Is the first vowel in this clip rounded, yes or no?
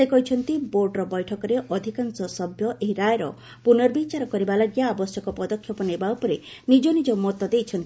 no